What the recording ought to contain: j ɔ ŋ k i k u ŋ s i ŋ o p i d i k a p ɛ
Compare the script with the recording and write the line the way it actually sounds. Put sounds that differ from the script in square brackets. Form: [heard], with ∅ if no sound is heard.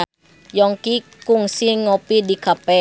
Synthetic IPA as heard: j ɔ ŋ k i k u ŋ s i ŋ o p i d i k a p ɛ